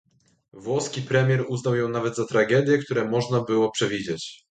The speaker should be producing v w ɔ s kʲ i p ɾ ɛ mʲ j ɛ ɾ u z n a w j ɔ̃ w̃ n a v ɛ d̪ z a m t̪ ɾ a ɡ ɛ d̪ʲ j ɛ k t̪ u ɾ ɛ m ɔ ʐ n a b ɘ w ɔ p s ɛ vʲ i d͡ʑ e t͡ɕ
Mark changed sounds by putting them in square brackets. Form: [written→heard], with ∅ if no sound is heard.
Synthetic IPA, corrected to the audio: v w ɔ s kʲ i p ɾ ɛ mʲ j ɛ ɾ u z n a w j ɔ̃ w̃ n a v ɛ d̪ z a [m→∅] t̪ ɾ a ɡ ɛ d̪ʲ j ɛ k t̪ u ɾ ɛ m ɔ ʐ n a b ɘ w ɔ p [s→ʂ] ɛ vʲ i d͡ʑ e t͡ɕ